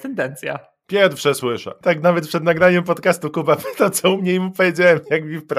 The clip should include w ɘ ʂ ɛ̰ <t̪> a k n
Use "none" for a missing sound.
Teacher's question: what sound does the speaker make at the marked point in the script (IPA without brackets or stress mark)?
t̪